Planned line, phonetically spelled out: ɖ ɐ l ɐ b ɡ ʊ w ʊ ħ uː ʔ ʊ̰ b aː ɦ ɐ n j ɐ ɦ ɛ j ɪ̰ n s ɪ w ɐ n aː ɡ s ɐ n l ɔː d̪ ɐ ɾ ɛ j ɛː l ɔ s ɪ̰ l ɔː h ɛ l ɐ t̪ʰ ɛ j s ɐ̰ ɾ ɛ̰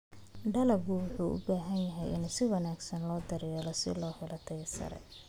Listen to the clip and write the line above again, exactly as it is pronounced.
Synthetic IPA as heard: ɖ ɐ l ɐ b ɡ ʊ w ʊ ħ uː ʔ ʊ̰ b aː ɦ ɐ n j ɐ ɦ ɛ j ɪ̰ n s ɪ w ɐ n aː ɡ s ɐ n l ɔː d̪ ɐ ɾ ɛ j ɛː l ɔ s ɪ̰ l ɔː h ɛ l ɐ t̪ʰ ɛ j s ɐ̰ ɾ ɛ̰